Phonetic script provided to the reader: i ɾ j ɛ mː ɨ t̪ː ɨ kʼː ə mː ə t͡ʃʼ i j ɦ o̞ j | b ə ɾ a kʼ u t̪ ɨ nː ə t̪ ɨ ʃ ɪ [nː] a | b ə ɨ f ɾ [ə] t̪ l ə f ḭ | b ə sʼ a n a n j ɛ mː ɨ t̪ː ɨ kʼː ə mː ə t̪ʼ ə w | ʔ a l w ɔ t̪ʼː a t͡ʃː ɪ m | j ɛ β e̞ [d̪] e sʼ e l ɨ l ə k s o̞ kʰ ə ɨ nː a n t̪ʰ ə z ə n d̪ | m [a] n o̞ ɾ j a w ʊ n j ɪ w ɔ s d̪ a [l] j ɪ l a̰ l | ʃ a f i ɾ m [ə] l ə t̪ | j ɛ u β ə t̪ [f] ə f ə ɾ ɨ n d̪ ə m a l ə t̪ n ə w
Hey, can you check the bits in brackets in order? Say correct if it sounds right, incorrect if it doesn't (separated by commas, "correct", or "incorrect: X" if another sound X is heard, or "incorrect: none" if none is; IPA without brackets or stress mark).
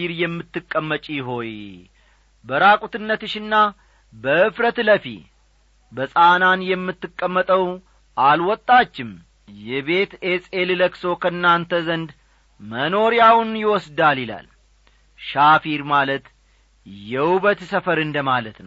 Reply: correct, correct, incorrect: t̪, incorrect: ə, correct, incorrect: a, incorrect: s